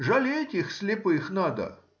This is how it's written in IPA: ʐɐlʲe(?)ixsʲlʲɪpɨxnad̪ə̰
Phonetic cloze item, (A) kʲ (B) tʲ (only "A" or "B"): B